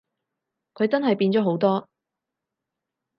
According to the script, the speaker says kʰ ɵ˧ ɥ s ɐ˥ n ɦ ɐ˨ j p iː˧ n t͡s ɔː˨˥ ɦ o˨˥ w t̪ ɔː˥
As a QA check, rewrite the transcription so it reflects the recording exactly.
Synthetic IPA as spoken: kʰ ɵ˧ ɥ t͡s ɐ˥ n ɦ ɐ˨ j p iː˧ n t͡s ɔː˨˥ ɦ o˨˥ w t̪ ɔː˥